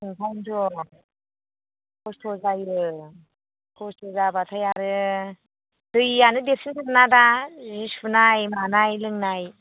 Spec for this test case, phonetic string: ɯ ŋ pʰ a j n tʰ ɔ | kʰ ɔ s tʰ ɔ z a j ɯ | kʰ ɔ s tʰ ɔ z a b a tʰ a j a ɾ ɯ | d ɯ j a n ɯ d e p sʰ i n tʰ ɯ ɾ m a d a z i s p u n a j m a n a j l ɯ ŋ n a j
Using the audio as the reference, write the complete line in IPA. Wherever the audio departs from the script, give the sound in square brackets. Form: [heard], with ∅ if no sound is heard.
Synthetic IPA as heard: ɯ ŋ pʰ a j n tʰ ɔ | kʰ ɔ s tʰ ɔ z a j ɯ | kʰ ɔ s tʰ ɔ z a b a tʰ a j a ɾ ɯ | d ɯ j a n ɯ d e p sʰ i n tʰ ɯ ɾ [n] a d a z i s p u n a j m a n a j l ɯ ŋ n a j